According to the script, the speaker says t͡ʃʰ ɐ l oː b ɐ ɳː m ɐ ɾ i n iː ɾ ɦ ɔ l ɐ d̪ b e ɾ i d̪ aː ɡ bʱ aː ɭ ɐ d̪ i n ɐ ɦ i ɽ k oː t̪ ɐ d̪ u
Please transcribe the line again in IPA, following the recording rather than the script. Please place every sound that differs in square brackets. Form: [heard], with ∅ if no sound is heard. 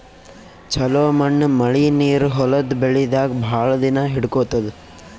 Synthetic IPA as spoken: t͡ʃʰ ɐ l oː [m] ɐ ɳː m ɐ [ɭ] i n iː ɾ ɦ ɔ l ɐ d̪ b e [ɭ] i d̪ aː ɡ bʱ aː ɭ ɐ d̪ i n ɐ ɦ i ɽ k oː t̪ ɐ d̪ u